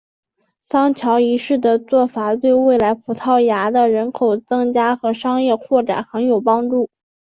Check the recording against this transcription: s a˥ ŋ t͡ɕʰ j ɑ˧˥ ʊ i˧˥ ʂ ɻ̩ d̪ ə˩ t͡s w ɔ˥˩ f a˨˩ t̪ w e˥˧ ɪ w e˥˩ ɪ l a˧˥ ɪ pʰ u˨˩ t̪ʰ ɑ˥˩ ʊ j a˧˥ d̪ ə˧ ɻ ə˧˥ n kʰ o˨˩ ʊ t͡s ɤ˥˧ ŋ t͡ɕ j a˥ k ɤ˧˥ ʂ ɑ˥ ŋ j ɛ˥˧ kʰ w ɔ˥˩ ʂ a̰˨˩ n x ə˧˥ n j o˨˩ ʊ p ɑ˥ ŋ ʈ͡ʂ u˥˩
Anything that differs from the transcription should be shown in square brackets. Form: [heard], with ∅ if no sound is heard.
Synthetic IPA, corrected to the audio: s [ɑ˥] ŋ t͡ɕʰ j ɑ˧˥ ʊ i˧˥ ʂ ɻ̩ d̪ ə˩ t͡s w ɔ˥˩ f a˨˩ t̪ w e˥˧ ɪ w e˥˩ ɪ l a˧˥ ɪ pʰ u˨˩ t̪ʰ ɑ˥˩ ʊ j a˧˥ d̪ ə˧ ɻ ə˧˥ n kʰ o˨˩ ʊ t͡s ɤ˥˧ ŋ t͡ɕ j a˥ [x] ɤ˧˥ ʂ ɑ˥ ŋ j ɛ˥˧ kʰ w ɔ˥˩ [ʈ͡ʂ] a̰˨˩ n x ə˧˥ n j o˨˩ ʊ p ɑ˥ ŋ ʈ͡ʂ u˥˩